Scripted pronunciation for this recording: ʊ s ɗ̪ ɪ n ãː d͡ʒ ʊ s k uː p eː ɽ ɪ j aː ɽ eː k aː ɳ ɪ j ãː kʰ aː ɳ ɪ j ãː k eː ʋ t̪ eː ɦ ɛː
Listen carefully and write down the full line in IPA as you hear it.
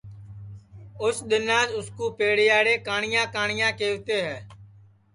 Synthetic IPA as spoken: ʊ s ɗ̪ ɪ n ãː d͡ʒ ʊ s k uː p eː ɽ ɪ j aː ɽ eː k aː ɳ ɪ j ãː k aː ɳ ɪ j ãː k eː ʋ t̪ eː ɦ ɛː